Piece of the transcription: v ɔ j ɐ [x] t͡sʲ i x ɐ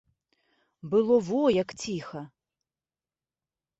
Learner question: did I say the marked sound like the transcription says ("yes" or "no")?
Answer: no